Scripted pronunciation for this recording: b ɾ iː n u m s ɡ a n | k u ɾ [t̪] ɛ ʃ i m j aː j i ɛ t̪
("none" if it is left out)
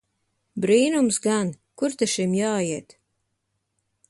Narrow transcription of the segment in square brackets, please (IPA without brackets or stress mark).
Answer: t̪